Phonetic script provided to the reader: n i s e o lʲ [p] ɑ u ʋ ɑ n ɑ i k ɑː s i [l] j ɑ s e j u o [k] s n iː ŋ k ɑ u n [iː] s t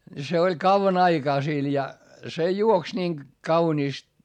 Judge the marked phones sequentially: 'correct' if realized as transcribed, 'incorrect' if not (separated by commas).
incorrect, correct, correct, correct